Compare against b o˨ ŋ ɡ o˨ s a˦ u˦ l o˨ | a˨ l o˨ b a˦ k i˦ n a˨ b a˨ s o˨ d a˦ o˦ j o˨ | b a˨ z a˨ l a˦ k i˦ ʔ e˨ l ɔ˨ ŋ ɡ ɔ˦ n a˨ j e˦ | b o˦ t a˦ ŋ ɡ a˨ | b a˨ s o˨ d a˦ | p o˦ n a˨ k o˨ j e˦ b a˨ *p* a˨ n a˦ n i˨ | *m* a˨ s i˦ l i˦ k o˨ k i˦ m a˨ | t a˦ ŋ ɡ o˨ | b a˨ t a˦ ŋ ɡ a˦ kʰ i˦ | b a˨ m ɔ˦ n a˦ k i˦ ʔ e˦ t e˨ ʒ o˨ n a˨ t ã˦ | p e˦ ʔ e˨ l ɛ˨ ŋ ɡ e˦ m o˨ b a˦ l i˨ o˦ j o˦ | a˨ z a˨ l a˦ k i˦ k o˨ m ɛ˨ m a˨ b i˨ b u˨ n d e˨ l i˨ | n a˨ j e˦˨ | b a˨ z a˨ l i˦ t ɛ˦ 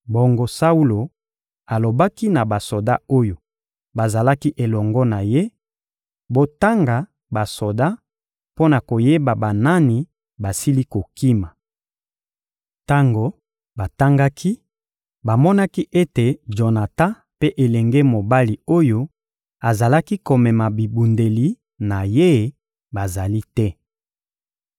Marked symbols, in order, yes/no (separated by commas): no, no